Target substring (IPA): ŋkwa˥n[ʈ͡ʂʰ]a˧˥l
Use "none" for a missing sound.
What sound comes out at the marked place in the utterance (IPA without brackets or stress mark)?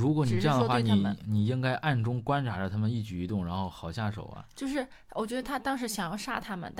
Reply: ʈ͡ʂʰ